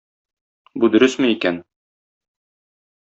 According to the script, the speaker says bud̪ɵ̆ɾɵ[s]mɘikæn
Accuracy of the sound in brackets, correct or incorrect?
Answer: correct